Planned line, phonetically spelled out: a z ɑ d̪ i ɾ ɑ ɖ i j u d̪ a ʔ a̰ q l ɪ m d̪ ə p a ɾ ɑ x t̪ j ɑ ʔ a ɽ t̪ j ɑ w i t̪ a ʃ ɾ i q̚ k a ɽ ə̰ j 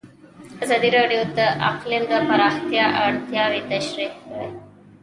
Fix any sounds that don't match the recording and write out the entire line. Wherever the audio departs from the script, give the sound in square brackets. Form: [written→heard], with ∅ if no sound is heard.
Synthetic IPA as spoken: a z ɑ d̪ i ɾ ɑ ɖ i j [u→o] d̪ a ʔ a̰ q l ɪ m d̪ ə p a ɾ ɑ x t̪ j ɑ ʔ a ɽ t̪ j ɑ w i t̪ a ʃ ɾ i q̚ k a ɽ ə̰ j